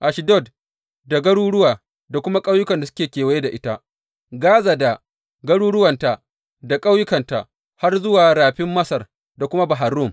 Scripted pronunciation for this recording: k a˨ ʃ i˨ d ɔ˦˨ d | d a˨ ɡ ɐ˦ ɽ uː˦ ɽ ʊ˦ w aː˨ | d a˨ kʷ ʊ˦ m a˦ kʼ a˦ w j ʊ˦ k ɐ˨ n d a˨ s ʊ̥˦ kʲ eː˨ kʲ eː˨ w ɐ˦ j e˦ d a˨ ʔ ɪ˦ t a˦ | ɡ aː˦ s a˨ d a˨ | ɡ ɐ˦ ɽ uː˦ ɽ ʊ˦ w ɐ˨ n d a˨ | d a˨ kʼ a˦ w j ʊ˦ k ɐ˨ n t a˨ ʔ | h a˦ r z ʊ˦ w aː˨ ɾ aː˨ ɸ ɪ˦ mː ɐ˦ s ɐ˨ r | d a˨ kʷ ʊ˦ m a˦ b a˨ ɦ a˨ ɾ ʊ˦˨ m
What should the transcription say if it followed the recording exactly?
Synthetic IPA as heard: ʔ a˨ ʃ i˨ d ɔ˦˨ d | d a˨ ɡ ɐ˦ ɽ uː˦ ɽ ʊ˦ w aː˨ | d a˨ kʷ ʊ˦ m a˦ kʼ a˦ w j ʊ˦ k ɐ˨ n d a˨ s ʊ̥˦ kʲ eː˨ kʲ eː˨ w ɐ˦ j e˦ d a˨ ʔ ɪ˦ t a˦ | ɡ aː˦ z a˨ d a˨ | ɡ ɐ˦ ɽ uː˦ ɽ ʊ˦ w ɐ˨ n t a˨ | d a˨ kʼ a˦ w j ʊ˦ k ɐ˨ n t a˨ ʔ | h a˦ r z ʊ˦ w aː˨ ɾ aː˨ ɸ ɪ˦ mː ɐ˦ s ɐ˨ r | d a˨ kʷ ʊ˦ m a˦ b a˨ ɦ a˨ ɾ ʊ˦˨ m